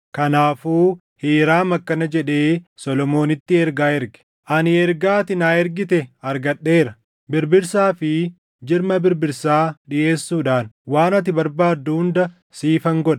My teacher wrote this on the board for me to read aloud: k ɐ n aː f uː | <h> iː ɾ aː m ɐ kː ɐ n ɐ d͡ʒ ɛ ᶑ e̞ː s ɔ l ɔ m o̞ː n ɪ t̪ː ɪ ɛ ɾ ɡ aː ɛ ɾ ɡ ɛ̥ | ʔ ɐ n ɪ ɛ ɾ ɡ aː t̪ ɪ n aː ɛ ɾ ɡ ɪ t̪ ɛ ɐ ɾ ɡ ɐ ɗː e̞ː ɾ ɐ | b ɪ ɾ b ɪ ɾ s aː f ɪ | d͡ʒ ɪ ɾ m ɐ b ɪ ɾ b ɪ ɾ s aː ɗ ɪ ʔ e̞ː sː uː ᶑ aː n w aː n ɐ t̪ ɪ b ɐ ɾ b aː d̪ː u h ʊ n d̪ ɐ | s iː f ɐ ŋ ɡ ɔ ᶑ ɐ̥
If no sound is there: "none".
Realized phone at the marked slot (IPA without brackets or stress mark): h